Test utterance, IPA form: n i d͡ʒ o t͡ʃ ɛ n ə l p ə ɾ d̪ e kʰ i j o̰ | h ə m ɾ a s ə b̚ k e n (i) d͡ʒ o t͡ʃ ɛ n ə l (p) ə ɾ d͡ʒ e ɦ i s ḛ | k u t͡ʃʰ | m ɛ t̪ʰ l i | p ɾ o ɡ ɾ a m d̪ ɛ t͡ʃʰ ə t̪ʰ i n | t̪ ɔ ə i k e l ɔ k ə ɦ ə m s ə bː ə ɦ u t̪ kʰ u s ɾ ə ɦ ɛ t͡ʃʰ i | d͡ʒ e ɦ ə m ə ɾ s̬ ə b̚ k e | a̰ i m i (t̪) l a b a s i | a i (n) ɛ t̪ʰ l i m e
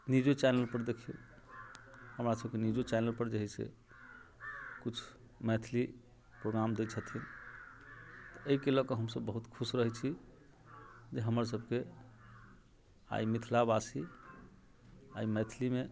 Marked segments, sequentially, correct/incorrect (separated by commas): correct, correct, incorrect, incorrect